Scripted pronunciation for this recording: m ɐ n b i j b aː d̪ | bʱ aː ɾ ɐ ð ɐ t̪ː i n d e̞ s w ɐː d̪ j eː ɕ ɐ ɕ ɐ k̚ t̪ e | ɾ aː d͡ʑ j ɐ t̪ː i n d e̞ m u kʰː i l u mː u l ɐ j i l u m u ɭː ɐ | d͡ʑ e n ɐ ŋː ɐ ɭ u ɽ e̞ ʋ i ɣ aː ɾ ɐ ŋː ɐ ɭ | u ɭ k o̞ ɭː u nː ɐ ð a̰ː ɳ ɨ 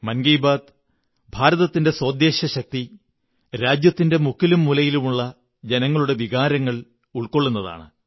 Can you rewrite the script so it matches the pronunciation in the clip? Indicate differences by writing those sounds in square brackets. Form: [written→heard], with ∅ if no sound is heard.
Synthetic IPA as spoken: m ɐ n [b→ɡ] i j b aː d̪ | bʱ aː ɾ ɐ ð ɐ t̪ː i n d e̞ s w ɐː d̪ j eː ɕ ɐ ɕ ɐ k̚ t̪ [e→i] | ɾ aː d͡ʑ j ɐ t̪ː i n d e̞ m u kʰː i l u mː u l ɐ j i l u m u ɭː ɐ | d͡ʑ e n ɐ ŋː ɐ ɭ u ɽ e̞ ʋ i ɣ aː ɾ ɐ ŋː ɐ ɭ | u ɭ k o̞ ɭː u nː ɐ ð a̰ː ɳ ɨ